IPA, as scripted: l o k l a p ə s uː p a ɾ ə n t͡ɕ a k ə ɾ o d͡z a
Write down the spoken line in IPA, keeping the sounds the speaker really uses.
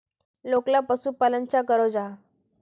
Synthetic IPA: l o k l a p ə s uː p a l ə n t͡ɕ a k ə ɾ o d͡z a